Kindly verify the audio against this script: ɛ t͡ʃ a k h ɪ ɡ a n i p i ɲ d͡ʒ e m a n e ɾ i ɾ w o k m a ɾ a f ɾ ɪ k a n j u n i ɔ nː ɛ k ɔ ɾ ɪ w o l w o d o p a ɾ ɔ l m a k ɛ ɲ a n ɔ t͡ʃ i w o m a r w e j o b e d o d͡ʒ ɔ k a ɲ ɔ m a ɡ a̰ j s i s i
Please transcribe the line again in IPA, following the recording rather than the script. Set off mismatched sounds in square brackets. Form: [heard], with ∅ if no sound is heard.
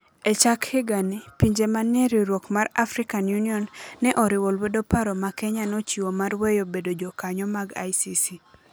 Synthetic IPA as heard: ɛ t͡ʃ a k h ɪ ɡ a n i p i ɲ d͡ʒ e m a n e ɾ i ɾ w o k m a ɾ a f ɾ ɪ k a n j u n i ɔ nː ɛ [ʔ] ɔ ɾ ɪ w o l w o d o p a ɾ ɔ [∅] m a k ɛ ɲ a n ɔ t͡ʃ i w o m a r w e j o b e d o d͡ʒ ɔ k a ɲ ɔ m a ɡ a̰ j s i s i